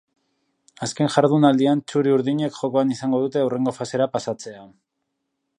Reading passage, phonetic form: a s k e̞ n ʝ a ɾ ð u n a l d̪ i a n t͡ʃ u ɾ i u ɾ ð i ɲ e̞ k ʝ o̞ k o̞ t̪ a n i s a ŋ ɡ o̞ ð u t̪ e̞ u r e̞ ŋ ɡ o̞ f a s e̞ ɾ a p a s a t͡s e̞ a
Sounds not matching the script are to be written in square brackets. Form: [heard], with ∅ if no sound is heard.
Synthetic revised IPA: a s k e̞ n ʝ a ɾ ð u n a l d̪ i a n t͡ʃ u ɾ i u ɾ ð i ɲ e̞ k ʝ o̞ k o̞ [∅] a n i s a ŋ ɡ o̞ ð u t̪ e̞ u r e̞ ŋ ɡ o̞ f a s e̞ ɾ a p a s a t͡s e̞ a